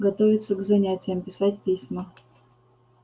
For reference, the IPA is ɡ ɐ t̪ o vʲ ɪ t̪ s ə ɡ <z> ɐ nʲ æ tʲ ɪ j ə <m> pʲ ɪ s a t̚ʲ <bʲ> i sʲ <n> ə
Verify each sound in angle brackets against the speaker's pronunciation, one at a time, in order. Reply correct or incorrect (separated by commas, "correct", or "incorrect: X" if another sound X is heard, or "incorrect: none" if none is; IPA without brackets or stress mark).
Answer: correct, correct, incorrect: pʲ, incorrect: m